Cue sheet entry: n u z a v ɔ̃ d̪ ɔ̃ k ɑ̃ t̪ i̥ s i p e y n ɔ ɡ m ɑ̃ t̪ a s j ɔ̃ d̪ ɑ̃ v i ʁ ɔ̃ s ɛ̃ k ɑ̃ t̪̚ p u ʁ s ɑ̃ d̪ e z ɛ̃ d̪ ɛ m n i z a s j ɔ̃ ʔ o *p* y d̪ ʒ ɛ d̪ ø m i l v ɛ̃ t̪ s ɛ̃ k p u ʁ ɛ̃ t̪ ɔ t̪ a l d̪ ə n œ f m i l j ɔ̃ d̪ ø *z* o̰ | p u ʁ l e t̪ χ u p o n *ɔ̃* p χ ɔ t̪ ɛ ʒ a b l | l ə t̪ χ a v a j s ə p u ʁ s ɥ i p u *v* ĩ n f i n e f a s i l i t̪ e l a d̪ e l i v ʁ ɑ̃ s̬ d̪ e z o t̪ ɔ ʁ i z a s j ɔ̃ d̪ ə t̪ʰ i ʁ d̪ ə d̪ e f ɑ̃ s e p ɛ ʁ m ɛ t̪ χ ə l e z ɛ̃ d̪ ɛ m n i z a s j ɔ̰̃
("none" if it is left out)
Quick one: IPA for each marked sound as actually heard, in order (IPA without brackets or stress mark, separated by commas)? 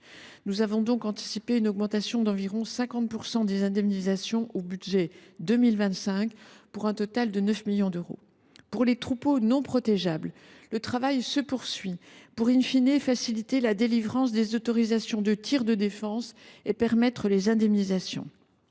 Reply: b, ʁ, ɔ̃, ʁ